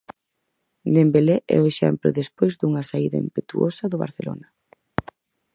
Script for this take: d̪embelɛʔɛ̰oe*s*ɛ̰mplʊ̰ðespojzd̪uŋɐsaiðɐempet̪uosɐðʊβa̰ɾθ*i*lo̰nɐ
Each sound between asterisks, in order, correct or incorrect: incorrect: ʃ, incorrect: e

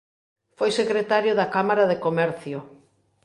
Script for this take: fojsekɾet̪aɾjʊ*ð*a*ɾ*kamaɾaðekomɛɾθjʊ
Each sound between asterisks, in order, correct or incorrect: correct, incorrect: none

